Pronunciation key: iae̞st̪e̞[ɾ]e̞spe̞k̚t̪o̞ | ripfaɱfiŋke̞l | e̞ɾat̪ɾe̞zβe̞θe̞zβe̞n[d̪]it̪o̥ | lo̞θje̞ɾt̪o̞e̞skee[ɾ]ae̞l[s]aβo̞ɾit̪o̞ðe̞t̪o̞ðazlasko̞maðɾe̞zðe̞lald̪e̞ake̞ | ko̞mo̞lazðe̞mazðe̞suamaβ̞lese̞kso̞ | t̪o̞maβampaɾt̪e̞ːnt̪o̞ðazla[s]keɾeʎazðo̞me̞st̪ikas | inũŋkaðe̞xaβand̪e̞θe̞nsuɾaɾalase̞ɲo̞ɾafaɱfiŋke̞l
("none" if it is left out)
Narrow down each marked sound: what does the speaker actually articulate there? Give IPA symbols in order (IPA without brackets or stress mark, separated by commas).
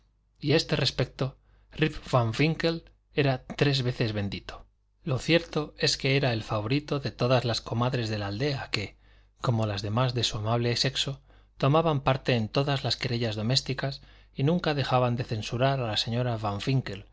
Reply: r, d̪, ɾ, f, s